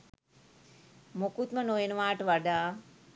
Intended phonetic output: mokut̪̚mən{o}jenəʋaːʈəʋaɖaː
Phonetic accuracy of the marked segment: correct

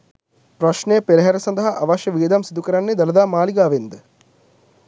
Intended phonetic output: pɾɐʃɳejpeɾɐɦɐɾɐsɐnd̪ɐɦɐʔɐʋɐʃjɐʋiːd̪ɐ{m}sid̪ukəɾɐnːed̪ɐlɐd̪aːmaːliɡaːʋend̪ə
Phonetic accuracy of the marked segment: correct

